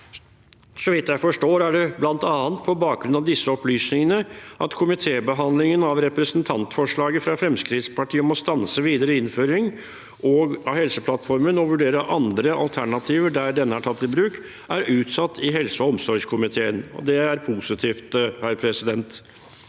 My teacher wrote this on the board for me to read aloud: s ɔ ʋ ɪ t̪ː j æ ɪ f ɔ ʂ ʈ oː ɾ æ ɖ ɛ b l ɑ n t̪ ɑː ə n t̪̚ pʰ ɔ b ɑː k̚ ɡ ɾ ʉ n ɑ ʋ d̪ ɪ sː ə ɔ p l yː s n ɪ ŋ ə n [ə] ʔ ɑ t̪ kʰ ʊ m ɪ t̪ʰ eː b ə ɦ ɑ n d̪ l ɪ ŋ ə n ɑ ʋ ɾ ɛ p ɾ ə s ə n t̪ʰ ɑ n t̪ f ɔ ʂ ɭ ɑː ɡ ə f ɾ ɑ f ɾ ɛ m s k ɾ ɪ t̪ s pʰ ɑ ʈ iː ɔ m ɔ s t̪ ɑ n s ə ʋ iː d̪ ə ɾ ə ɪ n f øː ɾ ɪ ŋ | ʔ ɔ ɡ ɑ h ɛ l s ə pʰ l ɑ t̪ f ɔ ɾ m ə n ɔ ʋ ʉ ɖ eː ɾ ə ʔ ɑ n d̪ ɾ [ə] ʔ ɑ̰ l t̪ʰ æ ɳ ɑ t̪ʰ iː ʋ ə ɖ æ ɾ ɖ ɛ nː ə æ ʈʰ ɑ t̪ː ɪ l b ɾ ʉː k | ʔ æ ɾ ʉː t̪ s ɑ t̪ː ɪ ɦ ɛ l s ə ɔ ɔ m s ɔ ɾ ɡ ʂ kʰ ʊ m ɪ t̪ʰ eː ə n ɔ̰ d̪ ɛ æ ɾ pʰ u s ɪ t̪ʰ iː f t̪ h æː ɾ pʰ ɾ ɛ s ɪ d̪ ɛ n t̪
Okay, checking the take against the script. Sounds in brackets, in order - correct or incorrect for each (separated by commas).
correct, correct